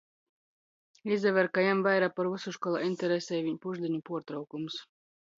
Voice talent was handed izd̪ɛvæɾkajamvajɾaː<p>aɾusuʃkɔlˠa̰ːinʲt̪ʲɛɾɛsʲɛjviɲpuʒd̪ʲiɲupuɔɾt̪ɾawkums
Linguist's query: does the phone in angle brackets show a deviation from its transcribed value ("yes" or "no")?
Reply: no